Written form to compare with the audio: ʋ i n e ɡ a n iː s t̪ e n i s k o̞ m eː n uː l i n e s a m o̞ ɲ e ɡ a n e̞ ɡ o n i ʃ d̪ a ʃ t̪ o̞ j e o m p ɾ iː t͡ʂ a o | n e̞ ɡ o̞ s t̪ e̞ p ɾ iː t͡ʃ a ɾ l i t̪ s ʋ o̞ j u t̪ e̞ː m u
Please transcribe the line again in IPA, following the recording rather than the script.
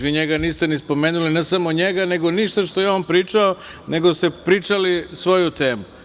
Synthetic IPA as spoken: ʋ i ɲ e ɡ a n iː s t̪ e n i s p o̞ m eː n u l i n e s a m o̞ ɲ e ɡ a n e̞ ɡ o n i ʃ t̪ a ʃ t̪ o̞ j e o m p ɾ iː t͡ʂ a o | n e̞ ɡ o̞ s t̪ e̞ p ɾ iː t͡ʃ a l i s ʋ o̞ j u t̪ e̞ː m u

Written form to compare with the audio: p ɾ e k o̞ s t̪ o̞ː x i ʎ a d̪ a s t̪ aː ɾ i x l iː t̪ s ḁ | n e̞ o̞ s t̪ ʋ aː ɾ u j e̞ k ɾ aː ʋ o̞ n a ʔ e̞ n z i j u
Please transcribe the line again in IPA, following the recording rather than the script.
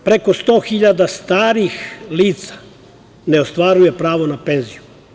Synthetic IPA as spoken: p ɾ e k o̞ s t̪ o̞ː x i ʎ a d̪ a s t̪ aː ɾ i x l iː t̪ s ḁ | n e̞ o̞ s t̪ ʋ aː ɾ u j e̞ p ɾ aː ʋ o̞ n a p e̞ n z i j u

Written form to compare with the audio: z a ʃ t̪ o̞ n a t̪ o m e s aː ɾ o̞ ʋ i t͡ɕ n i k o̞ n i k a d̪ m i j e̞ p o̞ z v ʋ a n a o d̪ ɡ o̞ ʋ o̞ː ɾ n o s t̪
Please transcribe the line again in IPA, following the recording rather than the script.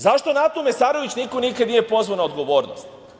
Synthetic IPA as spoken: z a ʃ t̪ o̞ n a t̪ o m e s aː ɾ o̞ ʋ i t͡ɕ n i k o̞ n i k a d̪ n i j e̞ p o̞ z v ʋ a n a o d̪ ɡ o̞ ʋ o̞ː ɾ n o s t̪

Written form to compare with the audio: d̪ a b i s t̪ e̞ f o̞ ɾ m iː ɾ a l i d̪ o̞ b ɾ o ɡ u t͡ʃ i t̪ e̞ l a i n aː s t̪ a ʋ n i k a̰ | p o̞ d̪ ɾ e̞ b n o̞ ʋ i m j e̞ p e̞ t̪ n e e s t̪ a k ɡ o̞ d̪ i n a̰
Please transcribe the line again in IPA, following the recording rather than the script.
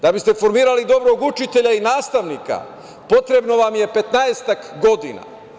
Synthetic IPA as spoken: d̪ a b i s t̪ e̞ f o̞ ɾ m iː ɾ a l i d̪ o̞ b ɾ o ɡ u t͡ʃ i t̪ e̞ ʎ a i n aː s t̪ a ʋ n i k a̰ | p o̞ t̪ ɾ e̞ b n o̞ ʋ a m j e̞ p e̞ t̪ n a e s t̪ a k ɡ o̞ d̪ i n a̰

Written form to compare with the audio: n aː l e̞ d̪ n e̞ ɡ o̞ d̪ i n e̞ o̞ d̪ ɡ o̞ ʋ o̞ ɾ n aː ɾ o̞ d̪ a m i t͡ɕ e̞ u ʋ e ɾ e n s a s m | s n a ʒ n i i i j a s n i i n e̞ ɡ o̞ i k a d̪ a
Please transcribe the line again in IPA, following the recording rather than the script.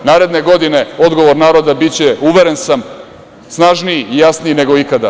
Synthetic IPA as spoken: n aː ɾ e̞ d̪ n e̞ ɡ o̞ d̪ i n e̞ o̞ d̪ ɡ o̞ ʋ o̞ ɾ n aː ɾ o̞ d̪ a b i t͡ɕ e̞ u ʋ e ɾ e n s a m | s n a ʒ n i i i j a s n i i n e̞ ɡ o̞ i k a d̪ a

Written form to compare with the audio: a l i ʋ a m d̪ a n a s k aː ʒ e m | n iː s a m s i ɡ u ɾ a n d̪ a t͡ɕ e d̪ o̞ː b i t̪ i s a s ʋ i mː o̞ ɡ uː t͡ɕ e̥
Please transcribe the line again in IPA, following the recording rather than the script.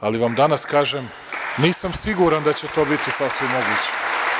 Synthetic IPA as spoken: a l i ʋ a m d̪ a n a s k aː ʒ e m | n iː s a m s i ɡ u ɾ a n d̪ a t͡ɕ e t̪ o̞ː b i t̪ i s a s ʋ i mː o̞ ɡ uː t͡ɕ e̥

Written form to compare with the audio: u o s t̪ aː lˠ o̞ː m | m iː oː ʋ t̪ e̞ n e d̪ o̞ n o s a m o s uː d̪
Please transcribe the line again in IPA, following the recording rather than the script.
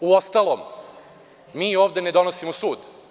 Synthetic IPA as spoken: u o s t̪ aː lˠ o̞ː m | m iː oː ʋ d̪ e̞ n e d̪ o̞ n o s i m o s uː d̪

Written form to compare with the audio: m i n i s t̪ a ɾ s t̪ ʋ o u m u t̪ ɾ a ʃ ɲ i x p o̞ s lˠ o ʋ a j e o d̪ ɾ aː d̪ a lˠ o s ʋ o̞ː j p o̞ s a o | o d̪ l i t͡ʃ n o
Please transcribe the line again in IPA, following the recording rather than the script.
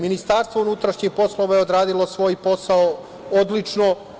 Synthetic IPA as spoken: m i n i s t̪ a ɾ s t̪ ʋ o u n u t̪ ɾ a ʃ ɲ i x p o̞ s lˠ o ʋ a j e o d̪ ɾ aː d̪ i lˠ o s ʋ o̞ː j p o̞ s a o | o d̪ l i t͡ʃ n o

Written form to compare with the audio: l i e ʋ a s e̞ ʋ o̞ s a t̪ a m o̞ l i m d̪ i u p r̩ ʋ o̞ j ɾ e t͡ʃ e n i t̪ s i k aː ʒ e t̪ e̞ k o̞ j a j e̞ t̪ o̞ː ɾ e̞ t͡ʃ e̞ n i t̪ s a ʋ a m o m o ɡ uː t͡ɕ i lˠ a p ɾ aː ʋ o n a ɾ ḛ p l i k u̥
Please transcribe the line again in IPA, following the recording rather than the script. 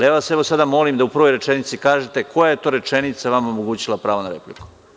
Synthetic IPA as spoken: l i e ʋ a s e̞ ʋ o̞ s a d̪ a m o̞ l i m d̪ a u p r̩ ʋ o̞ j ɾ e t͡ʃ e n i t̪ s i k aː ʒ e t̪ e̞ k o̞ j a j e̞ t̪ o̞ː ɾ e̞ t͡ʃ e̞ n i t̪ s a ʋ a m o m o ɡ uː t͡ɕ i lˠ a p ɾ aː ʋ o n a ɾ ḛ p l i k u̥

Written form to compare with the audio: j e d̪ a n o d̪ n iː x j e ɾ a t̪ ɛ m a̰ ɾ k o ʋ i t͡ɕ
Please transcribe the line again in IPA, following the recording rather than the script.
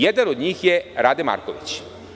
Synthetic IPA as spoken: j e d̪ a n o d̪ ɲ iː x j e ɾ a d̪ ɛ m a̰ ɾ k o ʋ i t͡ɕ

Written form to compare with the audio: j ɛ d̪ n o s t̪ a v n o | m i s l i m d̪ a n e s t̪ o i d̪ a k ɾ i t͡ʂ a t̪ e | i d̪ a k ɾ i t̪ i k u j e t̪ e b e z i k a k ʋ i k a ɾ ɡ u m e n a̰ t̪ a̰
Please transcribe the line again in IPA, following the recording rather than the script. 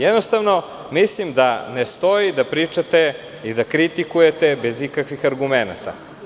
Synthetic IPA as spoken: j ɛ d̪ n o s t̪ a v n o | m i s l i m d̪ a n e s t̪ o i d̪ a p ɾ i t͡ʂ a t̪ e | i d̪ a k ɾ i t̪ i k u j e t̪ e b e z i k a k ʋ i x a ɾ ɡ u m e n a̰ t̪ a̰

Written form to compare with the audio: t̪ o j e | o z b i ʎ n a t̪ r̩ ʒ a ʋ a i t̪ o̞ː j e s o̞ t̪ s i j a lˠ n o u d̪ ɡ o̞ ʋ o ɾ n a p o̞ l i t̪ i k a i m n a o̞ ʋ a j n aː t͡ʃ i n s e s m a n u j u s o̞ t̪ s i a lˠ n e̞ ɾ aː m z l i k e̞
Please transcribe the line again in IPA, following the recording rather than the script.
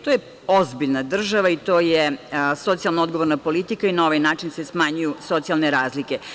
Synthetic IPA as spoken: t̪ o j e | o z b i ʎ n a d̪ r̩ ʒ a ʋ a i t̪ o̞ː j e s o̞ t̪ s i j a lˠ n o o d̪ ɡ o̞ ʋ o ɾ n a p o̞ l i t̪ i k a i n a o̞ ʋ a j n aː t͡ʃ i n s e s m a ɲ u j u s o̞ t̪ s i a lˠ n e̞ ɾ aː z l i k e̞

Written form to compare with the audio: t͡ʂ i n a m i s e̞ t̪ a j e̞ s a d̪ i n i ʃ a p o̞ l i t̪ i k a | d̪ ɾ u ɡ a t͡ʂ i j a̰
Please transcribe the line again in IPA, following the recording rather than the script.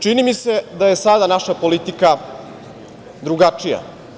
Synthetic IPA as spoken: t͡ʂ i n i m i s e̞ d̪ a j e̞ s a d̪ a n a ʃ a p o̞ l i t̪ i k a | d̪ ɾ u ɡ a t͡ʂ i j a̰

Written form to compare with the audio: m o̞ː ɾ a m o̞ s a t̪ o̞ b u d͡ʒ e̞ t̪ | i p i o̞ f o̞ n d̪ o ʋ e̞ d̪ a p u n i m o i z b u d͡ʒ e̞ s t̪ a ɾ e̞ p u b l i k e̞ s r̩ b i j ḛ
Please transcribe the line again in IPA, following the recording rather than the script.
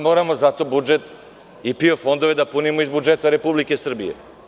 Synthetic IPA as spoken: m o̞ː ɾ a m o̞ z a t̪ o̞ b u d͡ʒ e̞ t̪ | i p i o̞ f o̞ n d̪ o ʋ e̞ d̪ a p u n i m o i z b u d͡ʒ e̞ t̪ a ɾ e̞ p u b l i k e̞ s r̩ b i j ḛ

